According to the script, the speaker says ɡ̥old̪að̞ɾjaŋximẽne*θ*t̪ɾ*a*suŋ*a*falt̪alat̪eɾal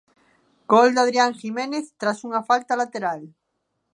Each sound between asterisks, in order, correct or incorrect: correct, correct, correct

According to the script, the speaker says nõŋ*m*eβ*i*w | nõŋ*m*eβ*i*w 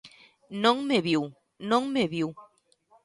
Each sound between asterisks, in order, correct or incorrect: correct, correct, correct, correct

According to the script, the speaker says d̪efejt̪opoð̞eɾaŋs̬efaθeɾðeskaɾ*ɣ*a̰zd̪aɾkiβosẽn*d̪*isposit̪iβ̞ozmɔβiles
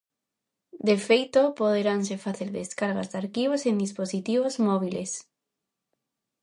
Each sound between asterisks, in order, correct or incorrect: correct, correct

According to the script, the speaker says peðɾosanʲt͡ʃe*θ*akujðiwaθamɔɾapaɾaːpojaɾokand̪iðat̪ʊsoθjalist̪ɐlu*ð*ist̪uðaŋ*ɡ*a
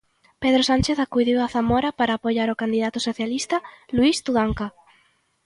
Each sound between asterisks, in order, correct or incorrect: correct, incorrect: none, incorrect: k

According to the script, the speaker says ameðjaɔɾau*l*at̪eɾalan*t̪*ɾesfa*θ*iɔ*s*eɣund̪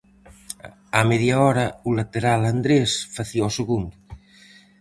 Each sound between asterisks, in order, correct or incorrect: correct, incorrect: d̪, correct, correct

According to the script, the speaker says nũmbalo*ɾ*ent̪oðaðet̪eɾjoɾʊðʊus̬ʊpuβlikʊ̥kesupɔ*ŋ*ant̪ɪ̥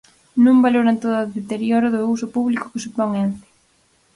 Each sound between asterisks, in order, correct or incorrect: correct, correct

